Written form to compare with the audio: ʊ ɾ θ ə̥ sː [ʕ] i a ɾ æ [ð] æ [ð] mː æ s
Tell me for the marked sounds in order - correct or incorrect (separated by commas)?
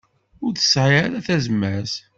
correct, incorrect, incorrect